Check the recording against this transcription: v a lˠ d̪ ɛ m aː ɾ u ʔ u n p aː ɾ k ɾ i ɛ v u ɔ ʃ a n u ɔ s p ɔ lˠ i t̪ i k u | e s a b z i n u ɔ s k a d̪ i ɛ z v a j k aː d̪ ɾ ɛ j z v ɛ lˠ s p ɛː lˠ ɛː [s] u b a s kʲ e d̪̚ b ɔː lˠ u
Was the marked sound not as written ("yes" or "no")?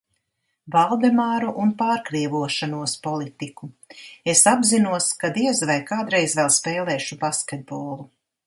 yes